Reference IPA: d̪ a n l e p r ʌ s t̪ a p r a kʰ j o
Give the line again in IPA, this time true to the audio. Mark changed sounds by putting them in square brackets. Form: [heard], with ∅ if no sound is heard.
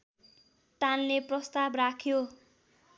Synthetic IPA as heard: [t̪] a n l e p r ʌ s t̪ a [b] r a kʰ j o